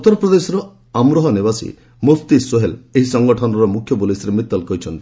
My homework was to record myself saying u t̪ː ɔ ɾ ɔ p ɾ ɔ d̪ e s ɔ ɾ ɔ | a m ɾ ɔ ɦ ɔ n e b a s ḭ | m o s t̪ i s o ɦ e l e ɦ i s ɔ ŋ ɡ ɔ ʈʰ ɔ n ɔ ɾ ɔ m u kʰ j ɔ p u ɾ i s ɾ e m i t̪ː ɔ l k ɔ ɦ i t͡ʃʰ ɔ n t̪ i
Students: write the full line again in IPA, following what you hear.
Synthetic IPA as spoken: u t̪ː ɔ ɾ ɔ p ɾ ɔ d̪ e s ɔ ɾ ɔ | a m ɾ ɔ ɦ ɔ n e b a s ḭ | m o s t̪ i s o ɦ e l e ɦ i s ɔ ŋ ɡ ɔ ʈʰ ɔ n ɔ ɾ ɔ m u kʰ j ɔ p u l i s ɾ e m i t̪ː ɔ l k ɔ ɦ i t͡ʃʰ ɔ n t̪ i